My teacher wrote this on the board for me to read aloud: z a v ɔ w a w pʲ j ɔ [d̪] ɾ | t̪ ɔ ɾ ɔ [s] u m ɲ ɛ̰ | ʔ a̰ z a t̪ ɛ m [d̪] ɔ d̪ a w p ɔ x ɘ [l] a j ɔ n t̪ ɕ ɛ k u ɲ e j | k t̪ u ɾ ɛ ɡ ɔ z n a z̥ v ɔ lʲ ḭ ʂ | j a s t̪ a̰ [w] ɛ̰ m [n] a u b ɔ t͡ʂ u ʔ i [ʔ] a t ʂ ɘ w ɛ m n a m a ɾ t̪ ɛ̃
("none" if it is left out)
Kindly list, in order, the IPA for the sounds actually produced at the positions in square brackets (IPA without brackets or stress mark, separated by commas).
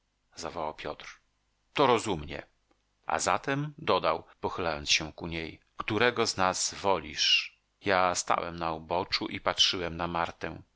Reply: t̪, z, d̪, l, w, n, p